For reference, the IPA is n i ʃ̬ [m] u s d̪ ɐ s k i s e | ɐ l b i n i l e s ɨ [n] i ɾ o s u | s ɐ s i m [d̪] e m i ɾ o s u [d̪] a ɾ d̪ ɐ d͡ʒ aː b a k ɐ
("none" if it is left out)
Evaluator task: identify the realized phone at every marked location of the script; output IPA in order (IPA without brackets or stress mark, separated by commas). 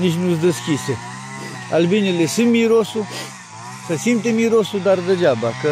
n, m, t̪, d̪